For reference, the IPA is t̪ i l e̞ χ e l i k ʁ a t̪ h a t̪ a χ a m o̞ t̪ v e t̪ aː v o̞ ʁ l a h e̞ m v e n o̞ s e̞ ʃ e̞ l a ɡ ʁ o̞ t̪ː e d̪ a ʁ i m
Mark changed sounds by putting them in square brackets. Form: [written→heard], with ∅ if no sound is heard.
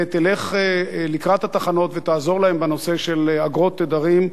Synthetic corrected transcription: t̪ i l e̞ χ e l i k ʁ a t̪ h a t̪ a χ a [m→n] o̞ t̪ v e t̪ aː [v→z] o̞ ʁ l a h e̞ m [v→b] e n o̞ s e̞ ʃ e̞ l a ɡ ʁ o̞ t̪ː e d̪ a ʁ i m